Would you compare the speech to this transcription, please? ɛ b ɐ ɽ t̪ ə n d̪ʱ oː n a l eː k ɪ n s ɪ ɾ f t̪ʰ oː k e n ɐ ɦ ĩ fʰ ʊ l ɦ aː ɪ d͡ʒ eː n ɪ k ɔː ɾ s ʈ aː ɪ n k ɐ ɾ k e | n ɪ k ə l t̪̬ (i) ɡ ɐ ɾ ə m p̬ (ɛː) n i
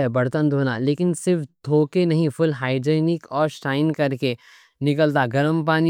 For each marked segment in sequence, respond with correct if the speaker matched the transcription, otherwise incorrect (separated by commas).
incorrect, incorrect